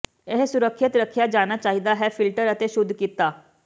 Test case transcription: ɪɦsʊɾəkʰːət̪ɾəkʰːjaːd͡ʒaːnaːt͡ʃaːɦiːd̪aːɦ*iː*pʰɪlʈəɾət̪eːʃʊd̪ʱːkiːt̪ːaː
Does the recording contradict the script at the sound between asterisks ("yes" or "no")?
yes